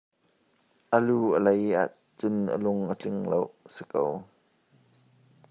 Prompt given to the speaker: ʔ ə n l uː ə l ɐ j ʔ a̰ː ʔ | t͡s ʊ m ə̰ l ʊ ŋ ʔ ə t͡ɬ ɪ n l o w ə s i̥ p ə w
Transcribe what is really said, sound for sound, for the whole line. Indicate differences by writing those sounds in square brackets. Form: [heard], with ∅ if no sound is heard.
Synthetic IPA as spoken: ʔ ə [∅] l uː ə l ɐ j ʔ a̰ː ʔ | t͡s ʊ [n] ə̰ l ʊ ŋ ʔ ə t͡ɬ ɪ [ŋ] l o w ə s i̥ [k] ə w